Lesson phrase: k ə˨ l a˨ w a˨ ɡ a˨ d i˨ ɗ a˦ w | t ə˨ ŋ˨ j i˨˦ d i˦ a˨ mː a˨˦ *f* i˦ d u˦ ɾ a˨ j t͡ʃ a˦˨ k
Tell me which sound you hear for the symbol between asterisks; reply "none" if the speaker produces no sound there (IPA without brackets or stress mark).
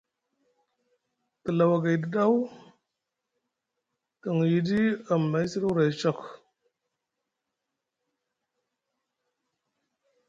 s